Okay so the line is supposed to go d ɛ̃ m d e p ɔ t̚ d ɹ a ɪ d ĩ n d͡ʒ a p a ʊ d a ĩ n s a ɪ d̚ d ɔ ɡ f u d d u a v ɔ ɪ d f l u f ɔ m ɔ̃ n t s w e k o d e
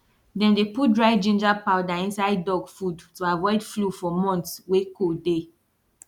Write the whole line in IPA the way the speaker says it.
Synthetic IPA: d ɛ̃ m d e p u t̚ d ɹ a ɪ d͡ʒ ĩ n d͡ʒ a p a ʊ d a ĩ n s a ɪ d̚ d ɔ ɡ f u d t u a v ɔ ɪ d f l u f ɔ m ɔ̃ n t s w e k o d e